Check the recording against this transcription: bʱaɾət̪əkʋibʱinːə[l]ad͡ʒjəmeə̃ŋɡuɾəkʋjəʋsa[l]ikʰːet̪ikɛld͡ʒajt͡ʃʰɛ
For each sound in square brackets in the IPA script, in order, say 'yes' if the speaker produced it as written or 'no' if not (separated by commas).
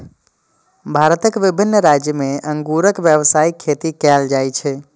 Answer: no, no